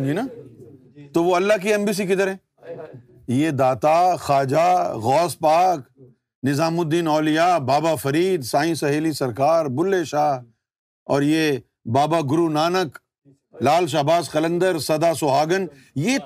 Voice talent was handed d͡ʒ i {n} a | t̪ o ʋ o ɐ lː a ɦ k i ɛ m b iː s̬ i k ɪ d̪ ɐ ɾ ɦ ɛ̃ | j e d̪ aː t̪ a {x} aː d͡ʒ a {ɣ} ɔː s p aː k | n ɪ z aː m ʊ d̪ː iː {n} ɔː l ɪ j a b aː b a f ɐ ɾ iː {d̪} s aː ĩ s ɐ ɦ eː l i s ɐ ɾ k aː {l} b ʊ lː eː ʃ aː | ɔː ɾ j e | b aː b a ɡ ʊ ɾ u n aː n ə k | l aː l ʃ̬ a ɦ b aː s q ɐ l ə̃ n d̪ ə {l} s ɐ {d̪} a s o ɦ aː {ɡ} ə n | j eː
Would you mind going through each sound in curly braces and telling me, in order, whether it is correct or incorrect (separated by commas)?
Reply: correct, correct, correct, correct, correct, incorrect, incorrect, correct, correct